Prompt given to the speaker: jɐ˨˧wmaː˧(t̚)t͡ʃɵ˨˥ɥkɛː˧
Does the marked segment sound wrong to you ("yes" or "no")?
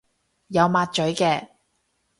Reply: no